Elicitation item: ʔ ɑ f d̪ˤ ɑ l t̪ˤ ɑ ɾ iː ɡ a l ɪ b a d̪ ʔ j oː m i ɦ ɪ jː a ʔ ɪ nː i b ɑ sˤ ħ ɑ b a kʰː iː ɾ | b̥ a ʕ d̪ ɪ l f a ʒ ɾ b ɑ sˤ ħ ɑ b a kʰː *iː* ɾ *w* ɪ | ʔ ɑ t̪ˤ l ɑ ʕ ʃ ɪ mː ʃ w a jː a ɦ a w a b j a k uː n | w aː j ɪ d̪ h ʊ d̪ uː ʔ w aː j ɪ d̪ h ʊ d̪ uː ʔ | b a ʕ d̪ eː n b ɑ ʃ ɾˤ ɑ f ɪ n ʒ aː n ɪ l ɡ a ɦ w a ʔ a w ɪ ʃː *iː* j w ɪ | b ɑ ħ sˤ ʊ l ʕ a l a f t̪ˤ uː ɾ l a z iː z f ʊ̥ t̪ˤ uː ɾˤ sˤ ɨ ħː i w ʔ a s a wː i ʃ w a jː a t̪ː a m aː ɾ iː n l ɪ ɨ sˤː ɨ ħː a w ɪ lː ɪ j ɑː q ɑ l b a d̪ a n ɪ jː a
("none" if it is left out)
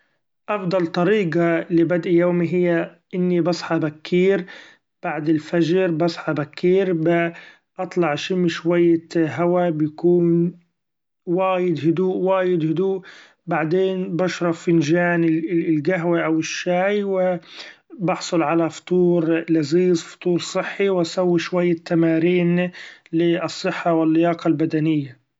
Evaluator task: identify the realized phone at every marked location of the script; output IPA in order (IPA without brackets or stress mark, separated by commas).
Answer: iː, b, aː